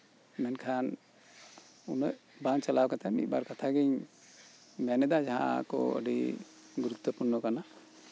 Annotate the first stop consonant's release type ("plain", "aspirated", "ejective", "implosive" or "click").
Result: aspirated